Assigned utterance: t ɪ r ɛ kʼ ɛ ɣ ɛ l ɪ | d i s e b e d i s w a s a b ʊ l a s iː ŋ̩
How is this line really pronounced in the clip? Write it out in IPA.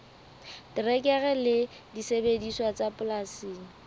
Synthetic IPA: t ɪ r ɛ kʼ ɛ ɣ ɛ l ɪ | d i s e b e d i s w a t͡s a p ʊ l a s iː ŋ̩